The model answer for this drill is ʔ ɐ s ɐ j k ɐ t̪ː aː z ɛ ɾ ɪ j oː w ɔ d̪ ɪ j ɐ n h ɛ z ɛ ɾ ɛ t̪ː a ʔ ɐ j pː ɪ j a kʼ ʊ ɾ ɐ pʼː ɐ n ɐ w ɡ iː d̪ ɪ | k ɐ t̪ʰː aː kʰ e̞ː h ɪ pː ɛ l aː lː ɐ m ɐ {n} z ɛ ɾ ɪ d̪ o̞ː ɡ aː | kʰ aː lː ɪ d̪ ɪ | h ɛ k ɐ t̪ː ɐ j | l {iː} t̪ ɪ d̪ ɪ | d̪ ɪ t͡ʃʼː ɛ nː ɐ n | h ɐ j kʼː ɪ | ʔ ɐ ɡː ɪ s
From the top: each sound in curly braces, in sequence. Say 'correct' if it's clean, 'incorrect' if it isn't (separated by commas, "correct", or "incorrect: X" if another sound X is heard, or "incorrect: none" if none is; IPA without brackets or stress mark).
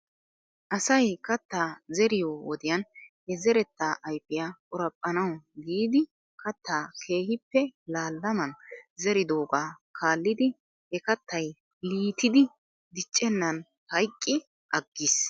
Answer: correct, correct